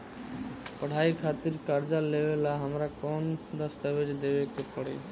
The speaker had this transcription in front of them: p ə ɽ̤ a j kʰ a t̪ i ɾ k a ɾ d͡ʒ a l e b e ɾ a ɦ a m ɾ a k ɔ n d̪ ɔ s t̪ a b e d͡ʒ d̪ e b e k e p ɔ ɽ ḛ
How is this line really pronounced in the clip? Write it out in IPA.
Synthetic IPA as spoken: p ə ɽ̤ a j kʰ a t̪ i ɾ k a ɾ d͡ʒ a l e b e l a ɦ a m ɾ a k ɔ n d̪ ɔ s t̪ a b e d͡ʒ d̪ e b e k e p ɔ ɽ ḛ